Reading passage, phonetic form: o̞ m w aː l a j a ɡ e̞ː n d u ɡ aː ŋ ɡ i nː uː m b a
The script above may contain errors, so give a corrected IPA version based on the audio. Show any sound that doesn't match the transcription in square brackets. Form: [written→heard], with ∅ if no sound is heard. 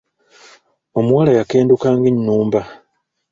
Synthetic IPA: o̞ m w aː l a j a [ɡ→k] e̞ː n d u [ɡ→k] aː ŋ ɡ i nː uː m b a